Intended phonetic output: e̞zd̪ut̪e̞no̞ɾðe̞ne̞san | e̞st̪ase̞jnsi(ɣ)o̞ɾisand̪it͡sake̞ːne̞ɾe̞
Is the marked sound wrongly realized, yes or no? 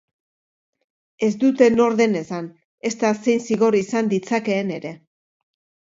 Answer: no